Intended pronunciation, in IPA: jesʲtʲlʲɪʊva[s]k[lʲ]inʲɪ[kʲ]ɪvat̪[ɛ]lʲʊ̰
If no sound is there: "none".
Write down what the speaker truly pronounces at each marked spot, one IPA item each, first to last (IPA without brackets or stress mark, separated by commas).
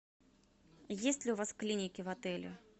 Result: s, lʲ, kʲ, ɛ